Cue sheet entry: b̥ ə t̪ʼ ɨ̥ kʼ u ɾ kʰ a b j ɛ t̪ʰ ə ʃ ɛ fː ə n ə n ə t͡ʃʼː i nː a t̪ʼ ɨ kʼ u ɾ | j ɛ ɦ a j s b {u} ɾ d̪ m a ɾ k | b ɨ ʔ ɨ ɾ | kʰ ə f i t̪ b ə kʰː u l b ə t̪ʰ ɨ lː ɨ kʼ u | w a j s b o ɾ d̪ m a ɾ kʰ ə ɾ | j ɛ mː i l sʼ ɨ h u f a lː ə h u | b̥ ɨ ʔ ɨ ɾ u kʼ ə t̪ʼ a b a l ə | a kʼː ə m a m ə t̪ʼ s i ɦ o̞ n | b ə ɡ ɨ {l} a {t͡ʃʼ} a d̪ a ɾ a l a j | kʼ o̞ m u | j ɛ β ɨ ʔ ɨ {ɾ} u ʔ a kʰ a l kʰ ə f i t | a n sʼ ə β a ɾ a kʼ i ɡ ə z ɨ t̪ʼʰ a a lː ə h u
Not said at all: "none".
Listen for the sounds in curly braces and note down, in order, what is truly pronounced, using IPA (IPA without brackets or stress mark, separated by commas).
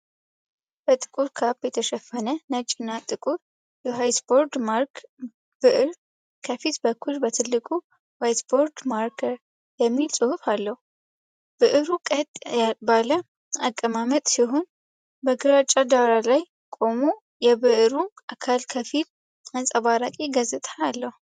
o, ɾ, t͡ʃʼ, ɾ